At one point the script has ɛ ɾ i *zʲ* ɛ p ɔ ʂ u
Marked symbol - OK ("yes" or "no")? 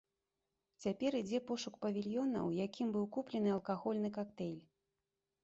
no